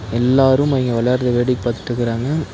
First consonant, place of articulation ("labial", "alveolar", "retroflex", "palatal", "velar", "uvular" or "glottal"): alveolar